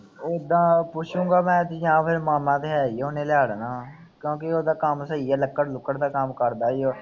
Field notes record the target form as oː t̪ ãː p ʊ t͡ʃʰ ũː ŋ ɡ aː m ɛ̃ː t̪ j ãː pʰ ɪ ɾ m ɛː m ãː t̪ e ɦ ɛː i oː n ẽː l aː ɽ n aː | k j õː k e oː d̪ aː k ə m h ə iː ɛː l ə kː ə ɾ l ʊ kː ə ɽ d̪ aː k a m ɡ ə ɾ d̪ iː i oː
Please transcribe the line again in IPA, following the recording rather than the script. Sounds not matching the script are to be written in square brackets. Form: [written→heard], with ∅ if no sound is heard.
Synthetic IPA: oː [t̪→d̪] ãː p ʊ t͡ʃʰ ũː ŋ ɡ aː m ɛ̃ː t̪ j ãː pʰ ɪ ɾ m [ɛː→aː] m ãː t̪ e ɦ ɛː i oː n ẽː l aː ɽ n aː | k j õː k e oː d̪ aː k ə m [h→s] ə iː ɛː l ə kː ə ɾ l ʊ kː ə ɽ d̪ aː k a m [ɡ→k] ə ɾ d̪ [iː→aː] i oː